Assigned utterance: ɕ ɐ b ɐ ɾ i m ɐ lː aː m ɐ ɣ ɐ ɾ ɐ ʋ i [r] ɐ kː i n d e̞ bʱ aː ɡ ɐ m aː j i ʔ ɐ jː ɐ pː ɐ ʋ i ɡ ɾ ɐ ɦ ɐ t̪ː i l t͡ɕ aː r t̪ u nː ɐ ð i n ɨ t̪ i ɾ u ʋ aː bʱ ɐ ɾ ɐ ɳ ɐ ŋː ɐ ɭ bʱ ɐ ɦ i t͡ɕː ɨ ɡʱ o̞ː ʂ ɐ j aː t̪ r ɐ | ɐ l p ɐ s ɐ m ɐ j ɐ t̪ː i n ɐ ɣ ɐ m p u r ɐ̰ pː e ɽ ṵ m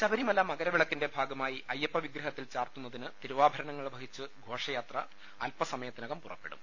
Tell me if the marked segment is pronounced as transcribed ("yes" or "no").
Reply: no